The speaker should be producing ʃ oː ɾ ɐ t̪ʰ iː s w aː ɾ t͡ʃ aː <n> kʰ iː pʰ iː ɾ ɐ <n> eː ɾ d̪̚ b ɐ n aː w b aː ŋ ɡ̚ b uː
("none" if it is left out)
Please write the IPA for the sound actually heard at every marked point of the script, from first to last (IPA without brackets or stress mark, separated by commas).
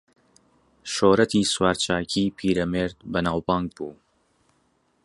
none, m